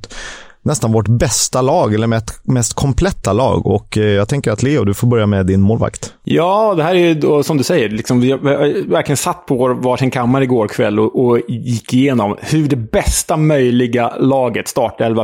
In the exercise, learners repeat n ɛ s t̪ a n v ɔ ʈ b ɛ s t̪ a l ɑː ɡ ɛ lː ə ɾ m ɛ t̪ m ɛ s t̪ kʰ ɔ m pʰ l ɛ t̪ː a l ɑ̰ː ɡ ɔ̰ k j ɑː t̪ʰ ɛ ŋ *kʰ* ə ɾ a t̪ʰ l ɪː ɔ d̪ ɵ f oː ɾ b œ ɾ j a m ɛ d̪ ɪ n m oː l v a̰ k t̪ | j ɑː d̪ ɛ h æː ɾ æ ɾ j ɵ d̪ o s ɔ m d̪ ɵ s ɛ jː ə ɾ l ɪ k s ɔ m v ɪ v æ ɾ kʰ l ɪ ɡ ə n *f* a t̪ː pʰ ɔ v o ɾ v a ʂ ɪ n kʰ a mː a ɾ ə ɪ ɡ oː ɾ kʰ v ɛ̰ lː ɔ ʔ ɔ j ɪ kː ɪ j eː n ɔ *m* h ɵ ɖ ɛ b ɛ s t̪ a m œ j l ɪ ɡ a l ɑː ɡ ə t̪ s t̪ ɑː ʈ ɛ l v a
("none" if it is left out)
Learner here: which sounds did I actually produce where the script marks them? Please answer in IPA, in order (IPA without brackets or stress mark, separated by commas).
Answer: k, s, m